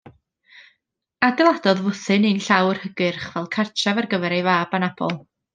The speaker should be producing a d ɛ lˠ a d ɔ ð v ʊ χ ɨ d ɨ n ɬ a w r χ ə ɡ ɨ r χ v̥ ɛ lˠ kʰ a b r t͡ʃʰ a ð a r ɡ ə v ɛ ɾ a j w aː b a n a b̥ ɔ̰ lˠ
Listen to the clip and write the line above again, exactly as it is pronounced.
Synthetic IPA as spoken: a d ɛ lˠ a d ɔ ð v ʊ θ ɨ n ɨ n ɬ a w r h ə ɡ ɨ r χ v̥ ɛ lˠ kʰ a r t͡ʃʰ a v a r ɡ ə v ɛ ɾ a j v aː b a n a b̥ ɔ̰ lˠ